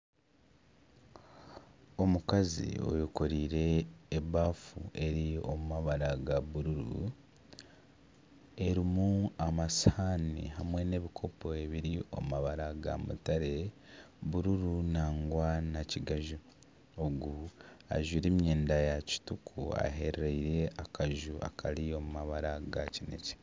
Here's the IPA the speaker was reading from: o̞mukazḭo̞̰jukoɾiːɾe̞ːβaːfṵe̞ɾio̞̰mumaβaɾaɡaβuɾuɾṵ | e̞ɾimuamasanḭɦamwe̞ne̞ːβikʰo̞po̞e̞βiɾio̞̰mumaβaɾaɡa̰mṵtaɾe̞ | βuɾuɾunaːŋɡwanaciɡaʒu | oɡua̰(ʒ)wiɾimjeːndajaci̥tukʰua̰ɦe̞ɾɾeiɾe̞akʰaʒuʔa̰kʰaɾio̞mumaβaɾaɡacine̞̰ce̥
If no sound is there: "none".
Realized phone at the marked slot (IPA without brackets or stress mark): ʒ